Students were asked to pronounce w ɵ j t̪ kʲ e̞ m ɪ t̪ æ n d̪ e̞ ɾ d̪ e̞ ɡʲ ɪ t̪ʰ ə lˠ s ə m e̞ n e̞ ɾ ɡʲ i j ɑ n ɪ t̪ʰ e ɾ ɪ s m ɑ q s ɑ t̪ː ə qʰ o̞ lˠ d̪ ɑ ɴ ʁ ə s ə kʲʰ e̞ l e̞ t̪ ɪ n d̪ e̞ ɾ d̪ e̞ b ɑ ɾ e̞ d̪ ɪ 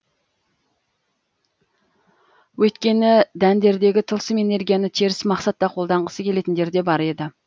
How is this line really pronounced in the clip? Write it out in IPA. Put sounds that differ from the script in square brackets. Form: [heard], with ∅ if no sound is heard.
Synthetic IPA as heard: w ɵ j t̪ kʲ e̞ [n] ɪ [d̪] æ n d̪ e̞ ɾ d̪ e̞ ɡʲ ɪ t̪ʰ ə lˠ s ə m e̞ n e̞ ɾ ɡʲ i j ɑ n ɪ t̪ʰ e ɾ ɪ s m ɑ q s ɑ t̪ː [ɑ] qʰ o̞ lˠ d̪ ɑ ɴ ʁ ə s ə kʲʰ e̞ l e̞ t̪ ɪ n d̪ e̞ ɾ d̪ e̞ b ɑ ɾ e̞ d̪ ɪ